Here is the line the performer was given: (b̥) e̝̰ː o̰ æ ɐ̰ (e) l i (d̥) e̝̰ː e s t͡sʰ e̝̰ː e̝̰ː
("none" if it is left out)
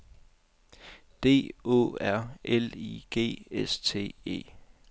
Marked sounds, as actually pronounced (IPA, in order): d̥, e, ɡ̥

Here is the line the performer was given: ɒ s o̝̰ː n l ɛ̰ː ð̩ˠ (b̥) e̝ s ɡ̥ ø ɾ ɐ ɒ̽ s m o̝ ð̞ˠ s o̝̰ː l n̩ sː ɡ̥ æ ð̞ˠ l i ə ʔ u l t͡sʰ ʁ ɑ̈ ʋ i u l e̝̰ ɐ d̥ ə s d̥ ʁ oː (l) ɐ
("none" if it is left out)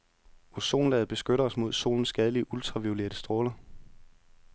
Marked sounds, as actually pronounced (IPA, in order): b̥, l

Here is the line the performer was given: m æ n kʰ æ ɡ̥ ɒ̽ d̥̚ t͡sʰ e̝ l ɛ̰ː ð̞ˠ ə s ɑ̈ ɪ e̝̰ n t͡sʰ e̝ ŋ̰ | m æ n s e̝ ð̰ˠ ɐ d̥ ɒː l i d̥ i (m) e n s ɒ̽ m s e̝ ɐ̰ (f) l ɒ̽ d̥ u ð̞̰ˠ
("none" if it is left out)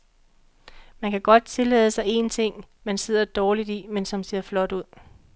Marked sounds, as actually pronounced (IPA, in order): m, f

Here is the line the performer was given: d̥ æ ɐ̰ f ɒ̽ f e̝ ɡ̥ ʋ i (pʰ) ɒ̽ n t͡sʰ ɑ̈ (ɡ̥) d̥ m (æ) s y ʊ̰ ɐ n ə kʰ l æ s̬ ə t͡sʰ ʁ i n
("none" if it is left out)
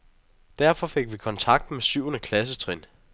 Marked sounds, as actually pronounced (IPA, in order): kʰ, ɡ̥, e

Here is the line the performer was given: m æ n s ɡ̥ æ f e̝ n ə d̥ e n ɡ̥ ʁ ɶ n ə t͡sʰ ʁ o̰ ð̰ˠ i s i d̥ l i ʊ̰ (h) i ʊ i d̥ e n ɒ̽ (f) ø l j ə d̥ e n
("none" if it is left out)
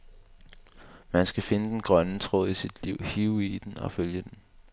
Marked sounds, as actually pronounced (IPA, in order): h, f

